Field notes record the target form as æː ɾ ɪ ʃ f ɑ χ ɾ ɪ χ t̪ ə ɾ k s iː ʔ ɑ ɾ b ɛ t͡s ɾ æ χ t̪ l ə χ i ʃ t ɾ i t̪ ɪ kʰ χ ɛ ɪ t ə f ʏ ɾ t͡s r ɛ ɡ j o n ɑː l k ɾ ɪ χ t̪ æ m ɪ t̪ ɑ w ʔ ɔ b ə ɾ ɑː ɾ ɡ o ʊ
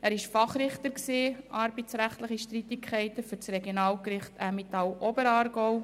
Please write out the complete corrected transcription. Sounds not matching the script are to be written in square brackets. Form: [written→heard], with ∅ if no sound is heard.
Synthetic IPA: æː ɾ ɪ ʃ f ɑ χ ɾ ɪ χ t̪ ə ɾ k s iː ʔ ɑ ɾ b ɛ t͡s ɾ æ χ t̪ l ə χ i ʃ t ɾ i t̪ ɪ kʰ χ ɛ ɪ t ə f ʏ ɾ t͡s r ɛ ɡ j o n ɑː l k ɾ ɪ χ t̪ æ m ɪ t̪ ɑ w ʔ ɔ b ə ɾ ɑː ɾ ɡ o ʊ